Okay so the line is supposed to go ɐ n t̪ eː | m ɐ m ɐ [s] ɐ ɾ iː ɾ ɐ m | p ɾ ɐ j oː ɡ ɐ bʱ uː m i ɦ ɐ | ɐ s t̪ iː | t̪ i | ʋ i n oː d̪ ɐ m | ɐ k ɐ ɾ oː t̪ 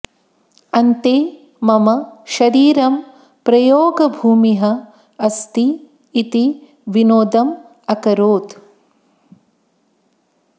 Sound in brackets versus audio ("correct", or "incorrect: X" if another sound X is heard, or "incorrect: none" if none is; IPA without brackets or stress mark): incorrect: ʃ